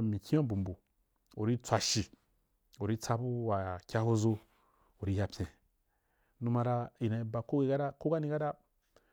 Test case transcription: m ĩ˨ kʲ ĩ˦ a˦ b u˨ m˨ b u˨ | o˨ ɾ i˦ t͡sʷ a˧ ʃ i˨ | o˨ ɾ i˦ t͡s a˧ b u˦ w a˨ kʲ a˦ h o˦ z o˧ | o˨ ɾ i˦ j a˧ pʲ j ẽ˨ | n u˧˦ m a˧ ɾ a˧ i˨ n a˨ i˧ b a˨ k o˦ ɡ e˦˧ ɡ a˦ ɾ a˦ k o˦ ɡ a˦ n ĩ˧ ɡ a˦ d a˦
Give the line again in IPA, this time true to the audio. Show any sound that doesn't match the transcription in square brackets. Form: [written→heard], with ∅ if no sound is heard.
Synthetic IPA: m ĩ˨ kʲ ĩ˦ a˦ b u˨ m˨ b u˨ | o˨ ɾ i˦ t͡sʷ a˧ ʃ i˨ | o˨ ɾ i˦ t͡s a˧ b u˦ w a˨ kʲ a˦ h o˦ z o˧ | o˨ ɾ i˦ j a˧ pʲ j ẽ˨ | n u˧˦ m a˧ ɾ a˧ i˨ n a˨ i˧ b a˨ k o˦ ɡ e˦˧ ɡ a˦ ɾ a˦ k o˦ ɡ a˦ n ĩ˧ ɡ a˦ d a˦